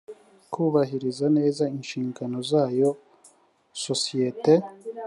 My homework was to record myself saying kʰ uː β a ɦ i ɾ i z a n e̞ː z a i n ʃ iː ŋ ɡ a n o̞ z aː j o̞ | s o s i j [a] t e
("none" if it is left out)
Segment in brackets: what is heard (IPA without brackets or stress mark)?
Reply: e